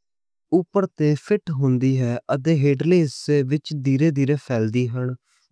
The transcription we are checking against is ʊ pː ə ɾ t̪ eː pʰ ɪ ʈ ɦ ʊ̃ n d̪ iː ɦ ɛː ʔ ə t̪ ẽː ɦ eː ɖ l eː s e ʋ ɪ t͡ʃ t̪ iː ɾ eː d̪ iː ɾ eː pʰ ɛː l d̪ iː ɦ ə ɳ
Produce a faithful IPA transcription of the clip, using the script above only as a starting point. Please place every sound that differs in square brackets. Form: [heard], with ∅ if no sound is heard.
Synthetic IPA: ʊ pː ə ɾ t̪ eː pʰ ɪ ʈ ɦ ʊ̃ n d̪ iː ɦ ɛː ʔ ə t̪ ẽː ɦ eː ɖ l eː s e ʋ ɪ t͡ʃ [d̪] iː ɾ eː d̪ iː ɾ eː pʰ ɛː l d̪ iː ɦ ə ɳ